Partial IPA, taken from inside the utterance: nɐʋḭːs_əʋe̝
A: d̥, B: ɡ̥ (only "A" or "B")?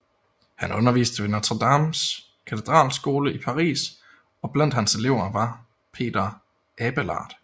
A